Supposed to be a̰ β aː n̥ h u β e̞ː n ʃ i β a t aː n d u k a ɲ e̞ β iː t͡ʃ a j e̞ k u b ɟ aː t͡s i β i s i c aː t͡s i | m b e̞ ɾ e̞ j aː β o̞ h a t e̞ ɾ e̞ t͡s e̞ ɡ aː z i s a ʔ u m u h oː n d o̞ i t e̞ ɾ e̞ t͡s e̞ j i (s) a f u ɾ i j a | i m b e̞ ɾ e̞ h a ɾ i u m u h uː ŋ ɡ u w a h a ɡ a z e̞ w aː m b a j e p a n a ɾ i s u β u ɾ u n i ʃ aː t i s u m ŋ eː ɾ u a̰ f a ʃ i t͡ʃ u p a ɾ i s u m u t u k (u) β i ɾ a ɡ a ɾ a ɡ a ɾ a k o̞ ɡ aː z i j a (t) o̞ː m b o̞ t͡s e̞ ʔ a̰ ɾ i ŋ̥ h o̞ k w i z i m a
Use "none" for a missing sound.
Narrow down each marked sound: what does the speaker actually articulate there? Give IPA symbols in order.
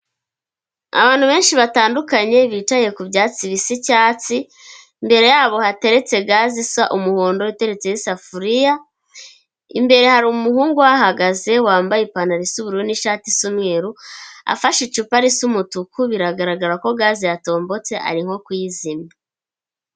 s, u, t

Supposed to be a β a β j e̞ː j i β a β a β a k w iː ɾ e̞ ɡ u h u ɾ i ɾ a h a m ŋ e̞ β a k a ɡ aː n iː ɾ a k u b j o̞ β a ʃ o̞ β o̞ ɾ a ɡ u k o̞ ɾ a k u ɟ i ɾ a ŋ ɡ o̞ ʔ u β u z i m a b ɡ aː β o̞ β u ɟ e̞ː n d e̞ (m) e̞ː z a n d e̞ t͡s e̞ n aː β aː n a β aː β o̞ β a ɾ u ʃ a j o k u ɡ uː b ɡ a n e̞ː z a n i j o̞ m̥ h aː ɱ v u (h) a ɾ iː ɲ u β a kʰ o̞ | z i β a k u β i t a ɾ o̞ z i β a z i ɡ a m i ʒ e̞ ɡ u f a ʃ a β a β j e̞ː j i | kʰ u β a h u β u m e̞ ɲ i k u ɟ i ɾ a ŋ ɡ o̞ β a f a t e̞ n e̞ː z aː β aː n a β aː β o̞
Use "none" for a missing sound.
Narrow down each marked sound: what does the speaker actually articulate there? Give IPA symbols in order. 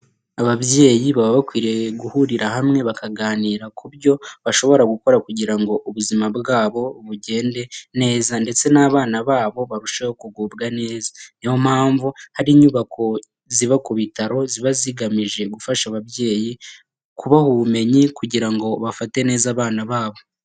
n, h

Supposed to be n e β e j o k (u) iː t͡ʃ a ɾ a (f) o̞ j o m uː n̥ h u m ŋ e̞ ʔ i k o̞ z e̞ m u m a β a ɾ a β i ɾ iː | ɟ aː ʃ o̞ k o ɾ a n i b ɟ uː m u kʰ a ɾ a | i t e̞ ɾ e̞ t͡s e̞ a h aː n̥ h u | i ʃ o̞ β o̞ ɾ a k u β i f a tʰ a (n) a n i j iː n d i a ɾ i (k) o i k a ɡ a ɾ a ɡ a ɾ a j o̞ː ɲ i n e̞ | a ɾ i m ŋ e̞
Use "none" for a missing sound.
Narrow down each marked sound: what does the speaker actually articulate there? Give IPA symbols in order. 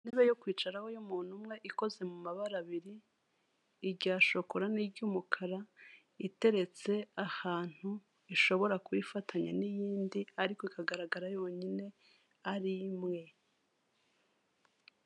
w, h, ɲ, k

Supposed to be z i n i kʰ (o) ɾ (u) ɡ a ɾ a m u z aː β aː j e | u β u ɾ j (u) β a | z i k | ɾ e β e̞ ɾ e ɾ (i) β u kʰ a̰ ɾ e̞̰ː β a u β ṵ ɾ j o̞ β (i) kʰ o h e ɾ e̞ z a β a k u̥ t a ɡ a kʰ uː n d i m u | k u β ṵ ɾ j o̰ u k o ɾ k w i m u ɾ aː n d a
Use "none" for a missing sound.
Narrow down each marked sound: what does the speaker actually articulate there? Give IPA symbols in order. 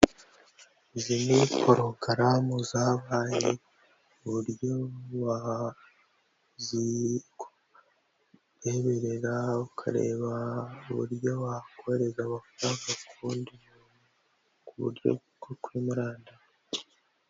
o, o, o, a, a

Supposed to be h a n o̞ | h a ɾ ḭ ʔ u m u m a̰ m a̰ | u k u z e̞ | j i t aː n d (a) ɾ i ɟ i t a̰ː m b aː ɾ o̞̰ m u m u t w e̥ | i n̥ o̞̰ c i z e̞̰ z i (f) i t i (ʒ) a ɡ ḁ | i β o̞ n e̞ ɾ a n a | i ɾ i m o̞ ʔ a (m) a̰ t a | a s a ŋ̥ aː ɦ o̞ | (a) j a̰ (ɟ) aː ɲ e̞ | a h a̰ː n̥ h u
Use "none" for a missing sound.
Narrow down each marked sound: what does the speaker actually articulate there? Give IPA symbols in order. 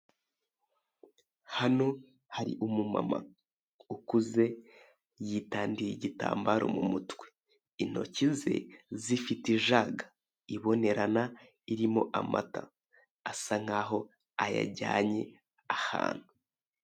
i, f, ʒ, m, a, ɟ

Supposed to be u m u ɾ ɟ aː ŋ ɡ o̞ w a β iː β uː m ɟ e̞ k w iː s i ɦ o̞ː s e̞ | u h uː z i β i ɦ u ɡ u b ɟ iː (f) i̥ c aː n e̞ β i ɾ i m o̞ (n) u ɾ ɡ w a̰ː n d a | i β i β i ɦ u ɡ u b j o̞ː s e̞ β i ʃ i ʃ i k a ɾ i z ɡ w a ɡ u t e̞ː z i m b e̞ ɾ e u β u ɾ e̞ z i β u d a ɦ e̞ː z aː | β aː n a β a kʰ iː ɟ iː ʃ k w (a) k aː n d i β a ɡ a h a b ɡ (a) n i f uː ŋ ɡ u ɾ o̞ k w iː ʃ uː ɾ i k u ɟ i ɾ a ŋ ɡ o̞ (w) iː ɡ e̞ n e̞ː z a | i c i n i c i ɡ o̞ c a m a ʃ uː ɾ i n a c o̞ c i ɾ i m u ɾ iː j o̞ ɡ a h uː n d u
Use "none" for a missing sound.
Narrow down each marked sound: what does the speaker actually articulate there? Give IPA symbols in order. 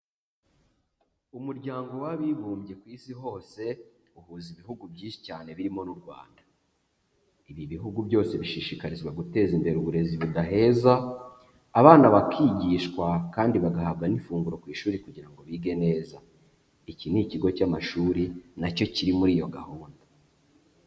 ʃ, n, a, a, β

